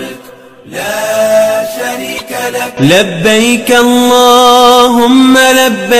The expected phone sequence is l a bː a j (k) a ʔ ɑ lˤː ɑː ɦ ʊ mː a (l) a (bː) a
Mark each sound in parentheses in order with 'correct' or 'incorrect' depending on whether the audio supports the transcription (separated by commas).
correct, correct, correct